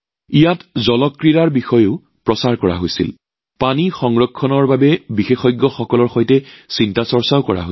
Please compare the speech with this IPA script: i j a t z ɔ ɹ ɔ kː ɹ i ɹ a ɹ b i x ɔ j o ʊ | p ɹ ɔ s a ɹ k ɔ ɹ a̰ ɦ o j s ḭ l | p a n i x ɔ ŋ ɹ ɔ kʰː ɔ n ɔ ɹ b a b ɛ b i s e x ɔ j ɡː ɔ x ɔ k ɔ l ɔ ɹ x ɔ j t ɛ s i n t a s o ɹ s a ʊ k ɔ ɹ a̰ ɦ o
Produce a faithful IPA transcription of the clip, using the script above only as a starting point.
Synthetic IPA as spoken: i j a t z ɔ l ɔ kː ɹ i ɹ a ɹ b i x ɔ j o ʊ | p ɹ ɔ s a ɹ k ɔ ɹ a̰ ɦ o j s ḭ l | p a n i x ɔ ŋ ɹ ɔ kʰː ɔ n ɔ ɹ b a b ɛ b i x e x ɔ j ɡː ɔ x ɔ k ɔ l ɔ ɹ x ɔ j t ɛ s i n t a s ɔ ɹ s a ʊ k ɔ ɹ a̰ ɦ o